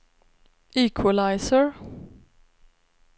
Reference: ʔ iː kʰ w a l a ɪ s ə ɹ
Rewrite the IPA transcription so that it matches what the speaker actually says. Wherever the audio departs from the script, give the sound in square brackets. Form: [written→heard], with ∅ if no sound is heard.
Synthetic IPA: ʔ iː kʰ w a l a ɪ s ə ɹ